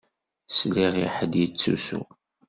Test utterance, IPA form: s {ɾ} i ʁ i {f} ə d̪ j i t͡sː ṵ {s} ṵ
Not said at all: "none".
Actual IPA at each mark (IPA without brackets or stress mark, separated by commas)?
l, ħ, s